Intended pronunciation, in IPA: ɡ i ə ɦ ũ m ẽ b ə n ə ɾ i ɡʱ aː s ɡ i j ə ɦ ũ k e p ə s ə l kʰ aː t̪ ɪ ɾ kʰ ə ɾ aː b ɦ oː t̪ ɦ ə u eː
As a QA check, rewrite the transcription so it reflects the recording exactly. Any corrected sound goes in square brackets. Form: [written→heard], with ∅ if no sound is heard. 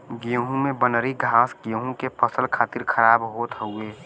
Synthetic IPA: ɡ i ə ɦ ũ m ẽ b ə n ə ɾ i ɡʱ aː s ɡ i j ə ɦ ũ k e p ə s ə l kʰ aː t̪ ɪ ɾ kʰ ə ɾ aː b ɦ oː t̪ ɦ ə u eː